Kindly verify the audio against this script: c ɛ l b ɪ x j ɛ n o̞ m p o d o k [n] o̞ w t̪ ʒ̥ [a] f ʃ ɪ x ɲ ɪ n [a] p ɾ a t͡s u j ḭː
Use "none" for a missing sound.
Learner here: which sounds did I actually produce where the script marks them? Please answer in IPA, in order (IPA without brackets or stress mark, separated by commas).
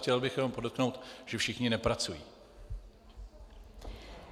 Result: n, ɛ, ɛ